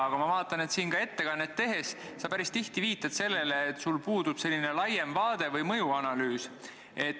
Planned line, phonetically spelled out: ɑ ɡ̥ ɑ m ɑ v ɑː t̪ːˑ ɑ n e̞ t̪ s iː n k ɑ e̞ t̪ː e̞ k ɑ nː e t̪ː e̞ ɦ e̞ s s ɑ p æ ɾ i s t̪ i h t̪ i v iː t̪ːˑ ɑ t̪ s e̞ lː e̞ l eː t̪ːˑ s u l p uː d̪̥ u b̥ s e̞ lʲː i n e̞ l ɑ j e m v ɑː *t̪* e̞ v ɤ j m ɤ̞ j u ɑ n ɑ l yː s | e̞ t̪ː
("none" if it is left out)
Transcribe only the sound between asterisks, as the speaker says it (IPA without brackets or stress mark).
d̪